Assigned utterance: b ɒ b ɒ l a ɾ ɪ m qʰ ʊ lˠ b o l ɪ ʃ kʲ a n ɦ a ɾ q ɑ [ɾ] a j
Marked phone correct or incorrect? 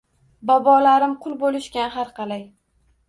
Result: incorrect